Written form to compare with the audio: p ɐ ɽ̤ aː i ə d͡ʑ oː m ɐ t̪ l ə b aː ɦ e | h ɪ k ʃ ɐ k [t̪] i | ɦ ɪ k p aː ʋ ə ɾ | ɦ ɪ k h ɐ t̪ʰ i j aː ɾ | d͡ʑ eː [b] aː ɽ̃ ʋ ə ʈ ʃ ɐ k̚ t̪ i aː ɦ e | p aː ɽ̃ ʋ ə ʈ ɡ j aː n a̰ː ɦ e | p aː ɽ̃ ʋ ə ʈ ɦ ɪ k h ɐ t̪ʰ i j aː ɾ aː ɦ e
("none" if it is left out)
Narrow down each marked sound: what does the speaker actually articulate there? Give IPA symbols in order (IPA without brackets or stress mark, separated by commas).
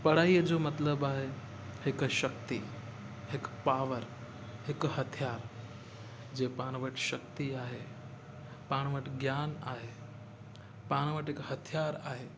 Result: t̪, p